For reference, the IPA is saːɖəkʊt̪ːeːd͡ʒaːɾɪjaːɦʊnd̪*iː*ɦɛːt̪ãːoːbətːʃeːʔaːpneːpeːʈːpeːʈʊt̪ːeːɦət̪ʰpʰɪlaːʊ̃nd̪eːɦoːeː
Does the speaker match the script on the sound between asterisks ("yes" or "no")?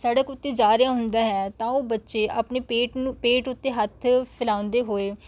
no